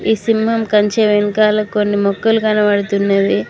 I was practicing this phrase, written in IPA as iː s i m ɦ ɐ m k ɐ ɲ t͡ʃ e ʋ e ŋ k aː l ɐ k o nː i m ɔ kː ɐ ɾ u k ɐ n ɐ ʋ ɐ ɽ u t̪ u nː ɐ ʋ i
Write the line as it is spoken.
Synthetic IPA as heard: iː s i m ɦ ɐ m k ɐ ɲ t͡ʃ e ʋ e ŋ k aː l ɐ k o nː i m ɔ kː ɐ l u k ɐ n ɐ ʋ ɐ ɽ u t̪ u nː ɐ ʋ i